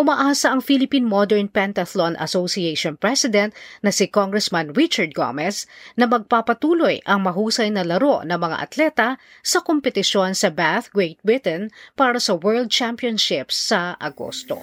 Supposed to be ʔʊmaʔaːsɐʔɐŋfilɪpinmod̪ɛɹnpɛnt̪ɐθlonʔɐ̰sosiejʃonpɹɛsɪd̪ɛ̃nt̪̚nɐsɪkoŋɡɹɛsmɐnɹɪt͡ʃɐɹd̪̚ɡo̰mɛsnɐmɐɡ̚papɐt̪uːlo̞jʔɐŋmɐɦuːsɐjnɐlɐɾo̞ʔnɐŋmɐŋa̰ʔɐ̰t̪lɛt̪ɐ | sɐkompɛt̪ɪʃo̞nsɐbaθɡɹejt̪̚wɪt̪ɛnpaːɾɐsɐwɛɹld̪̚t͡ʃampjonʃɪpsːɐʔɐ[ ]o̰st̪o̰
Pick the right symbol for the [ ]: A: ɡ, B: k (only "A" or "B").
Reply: A